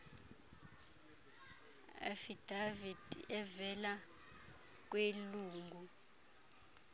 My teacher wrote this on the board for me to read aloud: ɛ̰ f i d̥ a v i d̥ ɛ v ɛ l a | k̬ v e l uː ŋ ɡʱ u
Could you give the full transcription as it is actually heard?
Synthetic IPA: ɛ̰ f i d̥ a v i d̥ ɛ v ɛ l a | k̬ w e l uː ŋ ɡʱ u